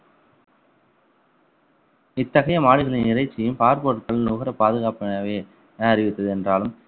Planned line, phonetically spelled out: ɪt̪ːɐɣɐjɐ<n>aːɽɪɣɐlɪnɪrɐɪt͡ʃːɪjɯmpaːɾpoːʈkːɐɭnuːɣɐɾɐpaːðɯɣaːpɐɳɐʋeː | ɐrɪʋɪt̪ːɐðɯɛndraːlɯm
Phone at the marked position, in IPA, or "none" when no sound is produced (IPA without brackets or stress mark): m